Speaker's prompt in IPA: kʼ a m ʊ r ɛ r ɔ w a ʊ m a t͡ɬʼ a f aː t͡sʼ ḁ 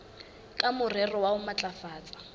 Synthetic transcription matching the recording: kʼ a m ʊ r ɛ r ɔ w a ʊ m a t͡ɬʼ a f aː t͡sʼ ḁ